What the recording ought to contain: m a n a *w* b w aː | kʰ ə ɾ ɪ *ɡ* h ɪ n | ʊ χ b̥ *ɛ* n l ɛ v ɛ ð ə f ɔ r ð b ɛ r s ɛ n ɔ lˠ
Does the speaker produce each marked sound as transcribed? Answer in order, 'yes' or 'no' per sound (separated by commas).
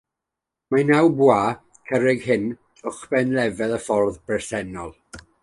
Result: yes, yes, yes